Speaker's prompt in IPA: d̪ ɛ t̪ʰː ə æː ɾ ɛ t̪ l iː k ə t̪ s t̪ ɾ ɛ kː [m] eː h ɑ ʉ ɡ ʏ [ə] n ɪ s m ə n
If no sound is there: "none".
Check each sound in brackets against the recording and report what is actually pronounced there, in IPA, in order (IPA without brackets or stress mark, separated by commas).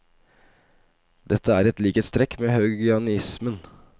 m, ɑ